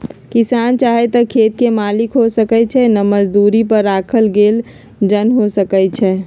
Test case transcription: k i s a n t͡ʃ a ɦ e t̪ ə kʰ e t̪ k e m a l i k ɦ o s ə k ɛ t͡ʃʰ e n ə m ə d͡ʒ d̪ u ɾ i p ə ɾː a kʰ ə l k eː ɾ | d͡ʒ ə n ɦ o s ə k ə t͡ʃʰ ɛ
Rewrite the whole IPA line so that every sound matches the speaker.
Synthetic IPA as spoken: k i s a n t͡ʃ a ɦ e t̪ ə kʰ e t̪ k e m a l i k ɦ o s ə k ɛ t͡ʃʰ ɛ n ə m ə d͡ʒ d̪ u ɾ i p ə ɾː a kʰ ə l ɡ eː l | d͡ʒ ə n ɦ o s ə k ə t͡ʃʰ ɛ